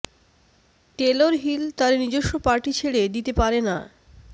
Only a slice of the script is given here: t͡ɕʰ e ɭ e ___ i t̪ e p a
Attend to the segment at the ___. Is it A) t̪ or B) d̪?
B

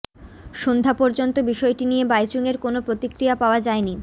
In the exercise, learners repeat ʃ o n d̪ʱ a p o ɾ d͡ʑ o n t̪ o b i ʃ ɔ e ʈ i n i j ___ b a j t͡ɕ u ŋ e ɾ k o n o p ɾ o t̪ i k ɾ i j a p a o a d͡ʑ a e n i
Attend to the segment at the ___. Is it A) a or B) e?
B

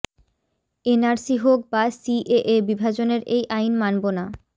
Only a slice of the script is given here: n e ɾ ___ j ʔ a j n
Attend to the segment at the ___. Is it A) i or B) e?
B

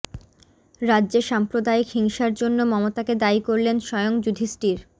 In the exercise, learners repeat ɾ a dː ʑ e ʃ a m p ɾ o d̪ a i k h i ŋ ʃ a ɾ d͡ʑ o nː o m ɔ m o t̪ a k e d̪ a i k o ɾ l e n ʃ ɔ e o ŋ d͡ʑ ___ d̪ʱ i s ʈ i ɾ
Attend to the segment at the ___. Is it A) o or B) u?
B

